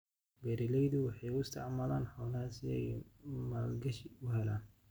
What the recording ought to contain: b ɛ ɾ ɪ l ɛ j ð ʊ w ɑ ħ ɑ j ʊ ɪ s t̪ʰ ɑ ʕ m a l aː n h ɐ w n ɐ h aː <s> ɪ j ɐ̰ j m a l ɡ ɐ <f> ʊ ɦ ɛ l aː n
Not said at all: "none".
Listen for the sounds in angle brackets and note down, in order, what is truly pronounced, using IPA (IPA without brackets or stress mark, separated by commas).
s, ʃ